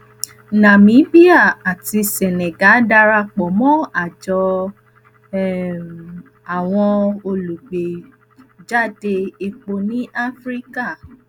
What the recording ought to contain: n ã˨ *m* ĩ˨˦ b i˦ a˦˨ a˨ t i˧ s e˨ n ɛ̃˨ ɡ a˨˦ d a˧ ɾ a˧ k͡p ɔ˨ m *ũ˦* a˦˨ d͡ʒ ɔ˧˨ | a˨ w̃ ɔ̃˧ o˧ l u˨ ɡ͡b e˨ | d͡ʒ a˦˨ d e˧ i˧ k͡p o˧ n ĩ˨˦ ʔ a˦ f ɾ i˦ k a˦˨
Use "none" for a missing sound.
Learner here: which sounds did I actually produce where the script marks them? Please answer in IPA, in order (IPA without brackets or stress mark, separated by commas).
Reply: m, ɔ̃˦